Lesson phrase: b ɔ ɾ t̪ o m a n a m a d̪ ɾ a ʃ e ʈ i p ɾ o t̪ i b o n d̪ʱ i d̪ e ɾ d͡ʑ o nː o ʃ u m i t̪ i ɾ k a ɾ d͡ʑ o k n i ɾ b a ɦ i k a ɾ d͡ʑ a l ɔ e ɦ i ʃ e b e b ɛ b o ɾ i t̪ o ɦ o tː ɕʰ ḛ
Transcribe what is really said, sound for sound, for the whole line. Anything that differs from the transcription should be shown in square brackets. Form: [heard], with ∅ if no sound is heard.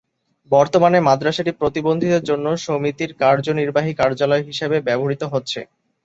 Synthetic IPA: b ɔ ɾ t̪ o m a n [e] m a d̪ ɾ a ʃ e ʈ i p ɾ o t̪ i b o n d̪ʱ i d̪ e ɾ d͡ʑ o nː o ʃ [o] m i t̪ i ɾ k a ɾ d͡ʑ o [∅] n i ɾ b a ɦ i k a ɾ d͡ʑ a l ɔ e ɦ i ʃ e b e b ɛ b o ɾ i t̪ o ɦ o tː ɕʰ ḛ

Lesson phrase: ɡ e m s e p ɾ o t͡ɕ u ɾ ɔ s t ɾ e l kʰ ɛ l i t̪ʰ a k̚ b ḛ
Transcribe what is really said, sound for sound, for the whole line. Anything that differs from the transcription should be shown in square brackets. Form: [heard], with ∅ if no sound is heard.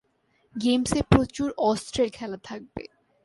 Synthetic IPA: ɡ e m s e p ɾ o t͡ɕ u ɾ ɔ s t ɾ e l kʰ ɛ l [a] t̪ʰ a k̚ b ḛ

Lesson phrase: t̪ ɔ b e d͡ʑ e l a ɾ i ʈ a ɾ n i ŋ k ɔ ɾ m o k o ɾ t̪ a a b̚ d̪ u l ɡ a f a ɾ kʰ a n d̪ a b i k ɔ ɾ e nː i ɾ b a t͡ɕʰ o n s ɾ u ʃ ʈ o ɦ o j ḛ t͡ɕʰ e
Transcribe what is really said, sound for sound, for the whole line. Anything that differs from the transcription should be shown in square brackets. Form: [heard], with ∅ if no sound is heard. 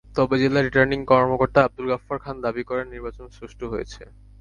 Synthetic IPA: t̪ ɔ b e d͡ʑ e l a ɾ i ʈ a ɾ n i ŋ k ɔ ɾ m o k o ɾ t̪ a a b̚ d̪ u l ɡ a f a ɾ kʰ a n d̪ a b i k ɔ ɾ e nː i ɾ b a [t͡ɕ] o n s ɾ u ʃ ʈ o ɦ o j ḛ t͡ɕʰ e

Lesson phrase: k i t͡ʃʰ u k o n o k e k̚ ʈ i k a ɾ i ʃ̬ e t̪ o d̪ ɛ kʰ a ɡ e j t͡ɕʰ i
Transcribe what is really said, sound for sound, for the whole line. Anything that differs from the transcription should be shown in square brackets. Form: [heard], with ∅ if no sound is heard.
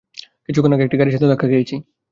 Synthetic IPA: k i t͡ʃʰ u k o n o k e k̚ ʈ i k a ɾ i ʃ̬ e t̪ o d̪ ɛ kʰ a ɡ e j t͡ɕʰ i

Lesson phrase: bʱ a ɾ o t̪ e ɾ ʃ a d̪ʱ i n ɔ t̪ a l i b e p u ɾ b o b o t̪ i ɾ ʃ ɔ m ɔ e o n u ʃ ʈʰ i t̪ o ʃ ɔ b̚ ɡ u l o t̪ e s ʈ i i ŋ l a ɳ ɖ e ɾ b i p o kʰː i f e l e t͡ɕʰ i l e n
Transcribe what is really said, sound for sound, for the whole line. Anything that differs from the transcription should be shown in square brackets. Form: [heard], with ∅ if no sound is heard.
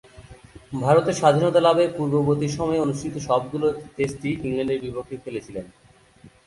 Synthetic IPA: bʱ a ɾ o t̪ e ɾ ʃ a d̪ʱ i n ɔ t̪ a l [a] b e p u ɾ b o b o t̪ i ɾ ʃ ɔ m ɔ e o n u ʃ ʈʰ i t̪ o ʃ ɔ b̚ ɡ u l o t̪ e s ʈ i i ŋ l a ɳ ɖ e ɾ b i p o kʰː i f e l e t͡ɕʰ i l e n

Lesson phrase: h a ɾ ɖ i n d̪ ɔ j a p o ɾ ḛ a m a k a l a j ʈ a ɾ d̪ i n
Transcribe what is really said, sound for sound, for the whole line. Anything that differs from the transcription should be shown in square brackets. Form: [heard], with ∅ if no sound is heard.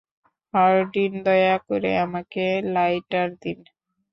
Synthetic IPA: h a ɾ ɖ i n d̪ ɔ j a [k] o ɾ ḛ a m a k [e] l a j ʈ a ɾ d̪ i n

